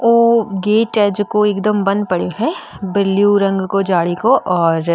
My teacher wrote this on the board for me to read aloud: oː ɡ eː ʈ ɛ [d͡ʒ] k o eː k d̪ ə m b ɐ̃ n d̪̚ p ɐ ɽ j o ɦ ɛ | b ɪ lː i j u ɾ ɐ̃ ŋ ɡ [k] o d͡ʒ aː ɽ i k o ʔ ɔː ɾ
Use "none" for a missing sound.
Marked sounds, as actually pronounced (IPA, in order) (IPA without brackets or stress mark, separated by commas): d͡ʒ, k